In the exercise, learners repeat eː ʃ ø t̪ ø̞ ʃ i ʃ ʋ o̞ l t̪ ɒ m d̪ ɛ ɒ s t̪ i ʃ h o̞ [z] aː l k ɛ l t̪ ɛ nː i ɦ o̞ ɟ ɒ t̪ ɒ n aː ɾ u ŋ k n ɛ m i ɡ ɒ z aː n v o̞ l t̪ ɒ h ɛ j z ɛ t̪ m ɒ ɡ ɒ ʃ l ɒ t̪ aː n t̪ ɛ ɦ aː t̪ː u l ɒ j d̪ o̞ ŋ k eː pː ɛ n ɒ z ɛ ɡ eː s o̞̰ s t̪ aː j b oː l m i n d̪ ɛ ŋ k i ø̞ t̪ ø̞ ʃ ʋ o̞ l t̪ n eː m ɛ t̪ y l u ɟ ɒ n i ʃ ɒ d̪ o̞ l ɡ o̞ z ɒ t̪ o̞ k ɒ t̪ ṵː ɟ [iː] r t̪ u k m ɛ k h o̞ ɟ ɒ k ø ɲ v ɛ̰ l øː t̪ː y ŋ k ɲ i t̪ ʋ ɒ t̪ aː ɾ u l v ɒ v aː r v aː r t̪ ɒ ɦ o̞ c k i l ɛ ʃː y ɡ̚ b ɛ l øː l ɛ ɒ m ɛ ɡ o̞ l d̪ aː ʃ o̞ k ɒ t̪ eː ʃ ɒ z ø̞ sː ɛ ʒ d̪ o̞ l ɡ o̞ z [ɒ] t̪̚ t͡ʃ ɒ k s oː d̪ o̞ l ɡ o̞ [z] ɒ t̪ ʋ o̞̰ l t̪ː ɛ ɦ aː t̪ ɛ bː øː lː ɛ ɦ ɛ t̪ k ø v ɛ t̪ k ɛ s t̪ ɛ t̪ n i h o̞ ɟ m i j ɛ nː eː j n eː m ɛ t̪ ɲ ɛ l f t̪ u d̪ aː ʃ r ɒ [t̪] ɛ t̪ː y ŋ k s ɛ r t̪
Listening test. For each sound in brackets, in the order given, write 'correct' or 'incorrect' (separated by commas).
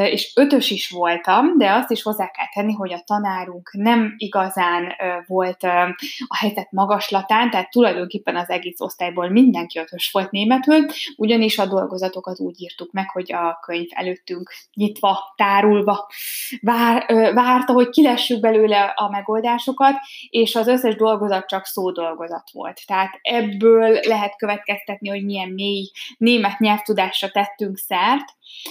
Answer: incorrect, correct, correct, correct, correct